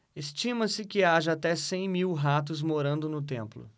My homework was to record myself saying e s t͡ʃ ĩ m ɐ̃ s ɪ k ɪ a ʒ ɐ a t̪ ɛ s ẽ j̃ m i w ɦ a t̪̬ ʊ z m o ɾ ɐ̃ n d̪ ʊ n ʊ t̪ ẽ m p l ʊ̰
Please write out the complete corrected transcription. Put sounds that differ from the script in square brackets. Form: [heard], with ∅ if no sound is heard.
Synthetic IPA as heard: e s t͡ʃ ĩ m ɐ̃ s ɪ k ɪ a ʒ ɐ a t̪ ɛ s ẽ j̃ m i w ɦ a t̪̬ ʊ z m o ɾ ɐ̃ n d̪ ʊ n ʊ t̪ ẽ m p l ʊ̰